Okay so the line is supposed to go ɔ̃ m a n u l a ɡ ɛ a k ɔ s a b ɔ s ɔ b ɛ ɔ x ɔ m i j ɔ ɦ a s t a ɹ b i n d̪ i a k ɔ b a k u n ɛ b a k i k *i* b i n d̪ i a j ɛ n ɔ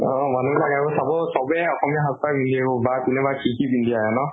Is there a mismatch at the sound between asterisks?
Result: no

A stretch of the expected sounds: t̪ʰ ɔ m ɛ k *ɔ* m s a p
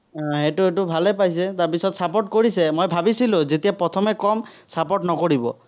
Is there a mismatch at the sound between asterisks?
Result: no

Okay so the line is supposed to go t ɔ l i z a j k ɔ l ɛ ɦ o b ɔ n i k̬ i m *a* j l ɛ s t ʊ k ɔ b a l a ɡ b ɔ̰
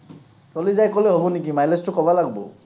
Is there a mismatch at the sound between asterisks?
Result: no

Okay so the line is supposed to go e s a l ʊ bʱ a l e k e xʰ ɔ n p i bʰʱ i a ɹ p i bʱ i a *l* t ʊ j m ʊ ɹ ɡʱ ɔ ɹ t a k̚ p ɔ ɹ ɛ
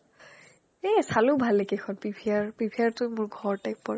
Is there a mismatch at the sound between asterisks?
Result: yes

